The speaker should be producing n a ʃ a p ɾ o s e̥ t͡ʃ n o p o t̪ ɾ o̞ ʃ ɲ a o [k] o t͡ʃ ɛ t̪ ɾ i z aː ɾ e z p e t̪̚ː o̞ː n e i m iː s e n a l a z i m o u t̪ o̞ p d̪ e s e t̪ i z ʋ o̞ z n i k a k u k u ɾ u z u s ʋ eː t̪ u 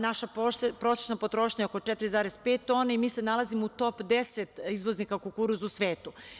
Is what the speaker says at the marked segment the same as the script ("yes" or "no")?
yes